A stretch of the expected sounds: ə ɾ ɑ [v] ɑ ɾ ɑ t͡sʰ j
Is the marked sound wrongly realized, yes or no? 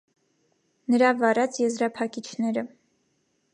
no